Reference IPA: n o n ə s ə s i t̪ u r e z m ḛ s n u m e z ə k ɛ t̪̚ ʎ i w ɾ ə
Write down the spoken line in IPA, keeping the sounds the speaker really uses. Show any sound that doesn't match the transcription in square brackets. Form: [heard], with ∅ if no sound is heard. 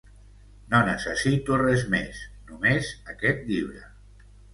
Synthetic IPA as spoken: n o n ə s ə s i t̪ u r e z m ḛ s n u m e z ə k ɛ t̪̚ ʎ i [β] ɾ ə